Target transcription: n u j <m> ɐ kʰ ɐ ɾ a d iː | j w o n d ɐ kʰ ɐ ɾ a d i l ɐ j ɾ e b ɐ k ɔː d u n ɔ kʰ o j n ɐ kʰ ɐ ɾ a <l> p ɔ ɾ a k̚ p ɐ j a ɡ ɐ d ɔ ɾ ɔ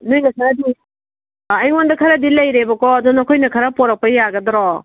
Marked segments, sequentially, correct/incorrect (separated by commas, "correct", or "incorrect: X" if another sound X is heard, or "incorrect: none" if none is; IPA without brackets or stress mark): incorrect: n, incorrect: none